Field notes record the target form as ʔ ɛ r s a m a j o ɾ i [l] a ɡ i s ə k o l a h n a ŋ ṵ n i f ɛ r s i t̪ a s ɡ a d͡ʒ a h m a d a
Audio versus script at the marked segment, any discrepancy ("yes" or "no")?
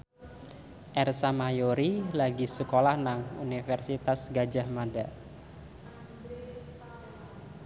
no